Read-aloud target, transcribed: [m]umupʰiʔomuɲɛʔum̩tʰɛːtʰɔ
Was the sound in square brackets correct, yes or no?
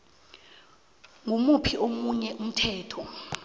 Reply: no